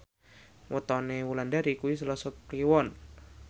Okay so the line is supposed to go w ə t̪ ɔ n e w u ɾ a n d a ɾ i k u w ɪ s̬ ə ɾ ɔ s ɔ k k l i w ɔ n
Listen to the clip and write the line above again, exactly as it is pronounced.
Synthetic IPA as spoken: w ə t̪ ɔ n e w u l a n d a ɾ i k u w i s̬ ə l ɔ s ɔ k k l i w ɔ n